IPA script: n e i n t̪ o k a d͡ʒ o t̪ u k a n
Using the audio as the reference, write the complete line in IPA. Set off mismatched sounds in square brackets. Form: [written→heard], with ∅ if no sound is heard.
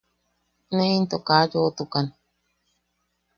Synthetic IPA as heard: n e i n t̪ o k a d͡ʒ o t̪ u k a n